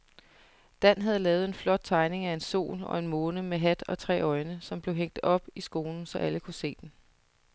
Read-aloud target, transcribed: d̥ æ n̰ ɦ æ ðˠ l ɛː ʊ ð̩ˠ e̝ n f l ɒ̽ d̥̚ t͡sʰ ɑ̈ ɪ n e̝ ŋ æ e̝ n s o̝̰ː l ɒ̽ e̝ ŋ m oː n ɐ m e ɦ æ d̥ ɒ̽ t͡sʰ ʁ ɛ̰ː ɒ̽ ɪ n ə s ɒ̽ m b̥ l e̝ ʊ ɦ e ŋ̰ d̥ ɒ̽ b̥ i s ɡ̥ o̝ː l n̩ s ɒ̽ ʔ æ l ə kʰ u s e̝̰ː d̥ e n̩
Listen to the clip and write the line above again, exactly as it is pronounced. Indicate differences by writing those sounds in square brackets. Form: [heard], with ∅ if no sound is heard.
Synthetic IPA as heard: d̥ æ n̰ ɦ æ ðˠ l ɛː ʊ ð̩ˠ e̝ n f l ɒ̽ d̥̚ t͡sʰ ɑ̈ ɪ n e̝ ŋ æ e̝ n s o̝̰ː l ɒ̽ e̝ [n] m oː n [ə] m e ɦ æ d̥ ɒ̽ t͡sʰ ʁ ɛ̰ː ɒ̽ ɪ n ə s ɒ̽ m b̥ l e̝ ʊ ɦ e ŋ̰ d̥ ɒ̽ b̥ i s ɡ̥ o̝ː l n̩ s ɒ̽ ʔ æ l ə kʰ u s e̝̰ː d̥ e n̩

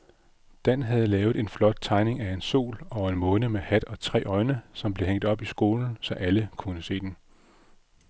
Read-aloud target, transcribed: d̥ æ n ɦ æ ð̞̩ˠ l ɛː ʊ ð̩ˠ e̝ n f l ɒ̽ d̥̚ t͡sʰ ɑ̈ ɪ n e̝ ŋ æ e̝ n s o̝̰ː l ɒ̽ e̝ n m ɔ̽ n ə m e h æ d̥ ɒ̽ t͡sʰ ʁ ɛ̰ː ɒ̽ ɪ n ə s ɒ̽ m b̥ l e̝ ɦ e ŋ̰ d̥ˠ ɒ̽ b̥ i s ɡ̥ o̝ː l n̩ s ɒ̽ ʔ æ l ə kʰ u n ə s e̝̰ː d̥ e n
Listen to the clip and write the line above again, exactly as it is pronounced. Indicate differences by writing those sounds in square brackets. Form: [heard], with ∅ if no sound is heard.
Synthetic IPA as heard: d̥ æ n ɦ æ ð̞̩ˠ l ɛː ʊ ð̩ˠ e̝ n f l ɒ̽ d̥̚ t͡sʰ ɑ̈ ɪ n e̝ ŋ æ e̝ n s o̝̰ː l ɒ̽ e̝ n m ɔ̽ n ə m e h æ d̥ ɒ̽ t͡sʰ ʁ ɛ̰ː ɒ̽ ɪ n ə s ɒ̽ m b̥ l e̝ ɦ e ŋ̰ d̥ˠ ɒ̽ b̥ i s ɡ̥ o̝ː l n̩ s ɒ̽ ʔ æ l ə kʰ u n ə s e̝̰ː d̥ e n

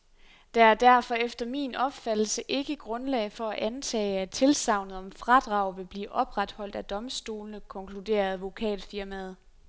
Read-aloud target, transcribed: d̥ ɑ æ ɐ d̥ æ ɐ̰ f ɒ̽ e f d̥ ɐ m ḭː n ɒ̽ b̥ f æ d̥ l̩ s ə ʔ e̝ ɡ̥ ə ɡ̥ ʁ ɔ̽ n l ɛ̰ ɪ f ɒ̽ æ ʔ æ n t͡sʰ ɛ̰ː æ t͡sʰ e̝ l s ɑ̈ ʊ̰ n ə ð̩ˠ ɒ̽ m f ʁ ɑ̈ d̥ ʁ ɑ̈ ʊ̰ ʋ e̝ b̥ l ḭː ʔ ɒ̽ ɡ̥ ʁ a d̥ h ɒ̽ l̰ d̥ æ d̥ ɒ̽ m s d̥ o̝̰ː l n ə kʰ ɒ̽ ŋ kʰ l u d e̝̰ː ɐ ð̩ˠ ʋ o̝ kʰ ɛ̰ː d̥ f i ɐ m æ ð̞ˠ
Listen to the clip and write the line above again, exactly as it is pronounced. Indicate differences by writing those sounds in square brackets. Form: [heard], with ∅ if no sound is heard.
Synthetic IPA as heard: d̥ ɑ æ ɐ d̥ æ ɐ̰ f ɒ̽ e f d̥ ɐ m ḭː n ɒ̽ b̥ f æ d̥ l̩ s ə ʔ e̝ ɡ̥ ə ɡ̥ ʁ ɔ̽ n l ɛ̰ ɪ f ɒ̽ æ ʔ æ n t͡sʰ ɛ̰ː æ t͡sʰ e̝ l s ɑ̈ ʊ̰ n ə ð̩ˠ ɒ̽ m f ʁ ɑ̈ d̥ ʁ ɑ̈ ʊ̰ ʋ e̝ b̥ l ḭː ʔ ɒ̽ [b̥] ʁ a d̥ h ɒ̽ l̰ d̥ æ d̥ ɒ̽ m s d̥ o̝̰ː l n ə kʰ ɒ̽ ŋ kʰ l u d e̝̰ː ɐ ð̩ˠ ʋ o̝ kʰ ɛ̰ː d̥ f i ɐ m æ ð̞ˠ

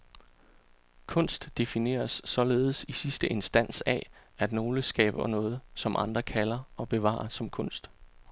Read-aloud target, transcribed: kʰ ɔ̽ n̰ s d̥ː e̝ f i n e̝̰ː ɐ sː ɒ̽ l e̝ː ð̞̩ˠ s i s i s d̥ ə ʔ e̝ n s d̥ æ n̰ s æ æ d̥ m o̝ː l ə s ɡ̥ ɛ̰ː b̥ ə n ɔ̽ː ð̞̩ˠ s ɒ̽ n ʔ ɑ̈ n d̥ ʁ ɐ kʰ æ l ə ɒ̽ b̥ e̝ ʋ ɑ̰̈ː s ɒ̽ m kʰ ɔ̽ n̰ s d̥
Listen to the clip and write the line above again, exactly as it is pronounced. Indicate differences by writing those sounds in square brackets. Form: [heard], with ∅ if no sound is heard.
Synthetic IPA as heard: kʰ ɔ̽ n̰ s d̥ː e̝ f i n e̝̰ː ɐ sː ɒ̽ l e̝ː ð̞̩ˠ s i s i s d̥ ə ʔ e̝ n s d̥ æ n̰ s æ æ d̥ [n] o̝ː l ə s ɡ̥ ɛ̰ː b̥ [ɐ] n ɔ̽ː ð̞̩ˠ s ɒ̽ [m] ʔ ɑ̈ n d̥ ʁ ɐ kʰ æ l [ɐ] ɒ̽ b̥ e̝ ʋ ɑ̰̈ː s ɒ̽ m kʰ ɔ̽ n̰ s d̥

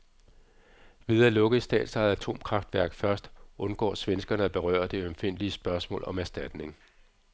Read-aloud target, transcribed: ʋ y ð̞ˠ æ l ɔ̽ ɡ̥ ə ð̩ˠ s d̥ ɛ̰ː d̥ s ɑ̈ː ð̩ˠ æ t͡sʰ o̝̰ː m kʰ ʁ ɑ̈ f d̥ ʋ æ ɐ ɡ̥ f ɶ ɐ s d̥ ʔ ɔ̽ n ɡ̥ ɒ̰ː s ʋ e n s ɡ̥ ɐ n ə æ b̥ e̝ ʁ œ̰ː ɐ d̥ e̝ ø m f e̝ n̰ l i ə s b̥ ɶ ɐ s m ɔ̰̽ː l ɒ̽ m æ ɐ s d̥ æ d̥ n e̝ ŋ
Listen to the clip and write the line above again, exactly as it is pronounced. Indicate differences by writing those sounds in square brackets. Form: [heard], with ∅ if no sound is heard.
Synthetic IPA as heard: ʋ [i] ð̞ˠ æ l ɔ̽ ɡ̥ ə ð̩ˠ s d̥ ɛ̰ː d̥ s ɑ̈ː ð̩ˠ æ t͡sʰ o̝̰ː m kʰ ʁ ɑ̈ f d̥ ʋ æ ɐ ɡ̥ f ɶ ɐ s d̥ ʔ ɔ̽ n ɡ̥ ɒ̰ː s ʋ e n s ɡ̥ ɐ n ə æ b̥ e̝ ʁ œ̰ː ɐ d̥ e̝ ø m f e̝ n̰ l i ə s b̥ ɶ ɐ s m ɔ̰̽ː l ɒ̽ m æ ɐ s d̥ æ d̥ n e̝ ŋ

